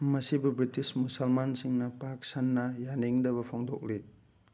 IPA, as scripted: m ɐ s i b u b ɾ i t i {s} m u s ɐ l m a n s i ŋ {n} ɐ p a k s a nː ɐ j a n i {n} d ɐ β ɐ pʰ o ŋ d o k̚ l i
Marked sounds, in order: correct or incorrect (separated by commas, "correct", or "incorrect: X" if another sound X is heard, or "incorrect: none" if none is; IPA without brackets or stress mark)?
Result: correct, correct, incorrect: ŋ